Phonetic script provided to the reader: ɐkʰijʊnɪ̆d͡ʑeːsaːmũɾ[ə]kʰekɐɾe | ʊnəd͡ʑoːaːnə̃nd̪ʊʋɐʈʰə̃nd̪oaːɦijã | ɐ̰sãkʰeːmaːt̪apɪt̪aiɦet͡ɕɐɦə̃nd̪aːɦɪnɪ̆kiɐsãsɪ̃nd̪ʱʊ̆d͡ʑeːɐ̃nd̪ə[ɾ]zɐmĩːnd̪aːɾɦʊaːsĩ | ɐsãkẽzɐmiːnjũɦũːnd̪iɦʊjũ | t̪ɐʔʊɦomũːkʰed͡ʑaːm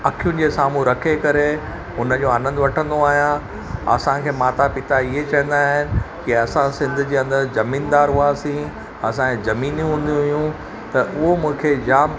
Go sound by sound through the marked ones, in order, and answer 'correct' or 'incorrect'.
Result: incorrect: ɐ, correct

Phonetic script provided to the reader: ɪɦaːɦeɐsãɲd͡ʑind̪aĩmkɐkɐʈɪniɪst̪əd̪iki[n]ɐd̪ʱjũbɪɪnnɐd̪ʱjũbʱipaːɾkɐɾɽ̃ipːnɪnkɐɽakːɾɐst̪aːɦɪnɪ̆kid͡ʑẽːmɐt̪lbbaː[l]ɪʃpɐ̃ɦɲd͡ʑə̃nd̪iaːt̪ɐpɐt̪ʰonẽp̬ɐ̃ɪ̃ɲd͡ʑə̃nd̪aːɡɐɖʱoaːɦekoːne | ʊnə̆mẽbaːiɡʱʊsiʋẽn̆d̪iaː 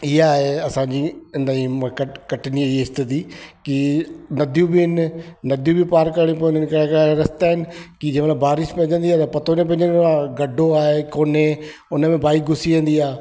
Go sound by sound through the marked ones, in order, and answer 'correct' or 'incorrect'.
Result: correct, incorrect: ɾ

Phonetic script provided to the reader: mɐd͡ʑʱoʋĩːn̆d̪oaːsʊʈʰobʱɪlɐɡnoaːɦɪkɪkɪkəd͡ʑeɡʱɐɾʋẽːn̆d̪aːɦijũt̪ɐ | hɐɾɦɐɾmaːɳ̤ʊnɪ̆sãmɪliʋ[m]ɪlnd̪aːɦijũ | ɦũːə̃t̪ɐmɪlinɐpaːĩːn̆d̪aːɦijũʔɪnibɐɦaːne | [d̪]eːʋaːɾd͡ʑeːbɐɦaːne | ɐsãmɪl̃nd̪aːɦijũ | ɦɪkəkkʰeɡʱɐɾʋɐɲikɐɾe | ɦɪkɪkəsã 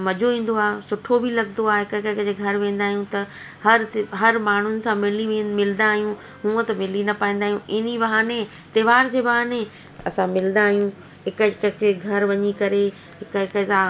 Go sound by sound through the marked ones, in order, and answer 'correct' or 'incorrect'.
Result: correct, incorrect: t̪

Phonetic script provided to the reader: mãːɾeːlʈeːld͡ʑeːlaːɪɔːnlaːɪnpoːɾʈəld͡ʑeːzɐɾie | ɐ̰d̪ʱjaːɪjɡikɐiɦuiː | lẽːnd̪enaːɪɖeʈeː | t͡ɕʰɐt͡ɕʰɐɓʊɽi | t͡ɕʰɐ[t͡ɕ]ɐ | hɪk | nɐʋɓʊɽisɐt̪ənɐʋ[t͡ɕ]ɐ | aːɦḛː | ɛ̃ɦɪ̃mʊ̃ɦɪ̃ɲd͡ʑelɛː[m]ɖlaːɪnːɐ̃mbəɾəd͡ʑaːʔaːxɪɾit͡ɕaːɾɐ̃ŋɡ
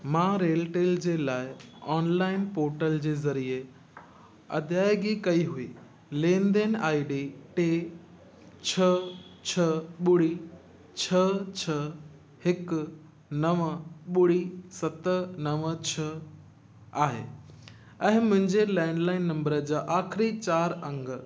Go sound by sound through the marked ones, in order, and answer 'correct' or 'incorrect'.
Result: incorrect: t͡ɕʰ, incorrect: t͡ɕʰ, incorrect: ɳ

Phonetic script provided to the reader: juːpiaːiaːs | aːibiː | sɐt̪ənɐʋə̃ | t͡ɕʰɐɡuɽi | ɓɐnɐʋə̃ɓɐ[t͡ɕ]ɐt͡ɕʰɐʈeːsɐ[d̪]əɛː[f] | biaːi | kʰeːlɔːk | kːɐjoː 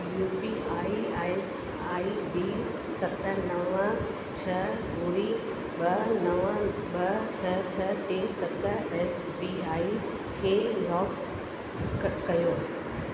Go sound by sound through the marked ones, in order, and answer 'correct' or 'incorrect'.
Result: incorrect: t͡ɕʰ, incorrect: t̪, incorrect: s

